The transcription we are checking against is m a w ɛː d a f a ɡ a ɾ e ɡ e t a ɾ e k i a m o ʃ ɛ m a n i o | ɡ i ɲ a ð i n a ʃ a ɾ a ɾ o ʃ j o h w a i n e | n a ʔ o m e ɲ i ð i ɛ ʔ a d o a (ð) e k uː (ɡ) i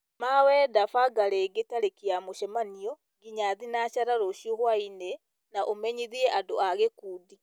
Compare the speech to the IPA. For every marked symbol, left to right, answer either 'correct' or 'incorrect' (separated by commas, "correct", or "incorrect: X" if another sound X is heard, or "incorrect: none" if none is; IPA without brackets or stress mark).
incorrect: ɣ, incorrect: d